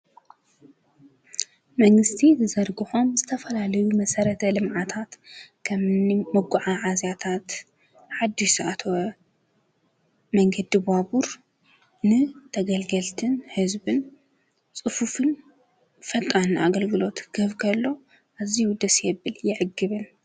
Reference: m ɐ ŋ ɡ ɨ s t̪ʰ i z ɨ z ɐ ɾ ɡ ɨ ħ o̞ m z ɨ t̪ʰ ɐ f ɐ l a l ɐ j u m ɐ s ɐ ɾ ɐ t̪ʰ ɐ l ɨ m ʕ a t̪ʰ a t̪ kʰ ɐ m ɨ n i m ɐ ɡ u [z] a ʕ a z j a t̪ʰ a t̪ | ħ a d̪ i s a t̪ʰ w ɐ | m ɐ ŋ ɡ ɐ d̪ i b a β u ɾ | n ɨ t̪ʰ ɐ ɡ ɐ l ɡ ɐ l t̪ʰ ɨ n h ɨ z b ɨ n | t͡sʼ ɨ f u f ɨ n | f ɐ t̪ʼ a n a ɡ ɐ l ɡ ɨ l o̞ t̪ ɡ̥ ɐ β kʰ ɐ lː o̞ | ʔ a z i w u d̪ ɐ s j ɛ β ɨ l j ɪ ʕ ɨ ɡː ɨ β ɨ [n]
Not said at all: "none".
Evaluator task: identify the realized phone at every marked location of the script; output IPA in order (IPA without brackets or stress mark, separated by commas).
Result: ʕ, n